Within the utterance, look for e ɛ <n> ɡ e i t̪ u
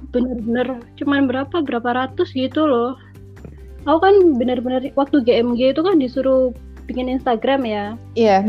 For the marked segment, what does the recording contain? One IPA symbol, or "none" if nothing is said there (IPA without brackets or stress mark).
m